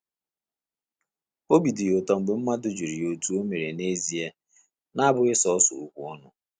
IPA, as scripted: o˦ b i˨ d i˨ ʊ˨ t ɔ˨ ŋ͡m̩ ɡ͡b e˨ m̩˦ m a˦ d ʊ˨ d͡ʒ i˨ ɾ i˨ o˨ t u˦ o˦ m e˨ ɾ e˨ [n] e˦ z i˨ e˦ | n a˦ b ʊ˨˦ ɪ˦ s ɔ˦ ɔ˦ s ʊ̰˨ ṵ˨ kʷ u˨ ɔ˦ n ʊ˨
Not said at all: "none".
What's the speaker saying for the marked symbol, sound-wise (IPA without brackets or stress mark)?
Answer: n